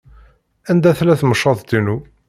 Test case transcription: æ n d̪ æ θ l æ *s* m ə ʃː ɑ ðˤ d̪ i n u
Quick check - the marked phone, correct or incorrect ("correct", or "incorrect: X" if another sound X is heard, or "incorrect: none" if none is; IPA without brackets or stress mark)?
incorrect: θ